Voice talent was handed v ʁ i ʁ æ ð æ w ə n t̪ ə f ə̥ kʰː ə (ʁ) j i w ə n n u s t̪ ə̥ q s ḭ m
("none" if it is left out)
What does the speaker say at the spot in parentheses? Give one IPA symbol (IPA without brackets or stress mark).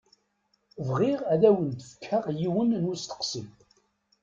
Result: ʁ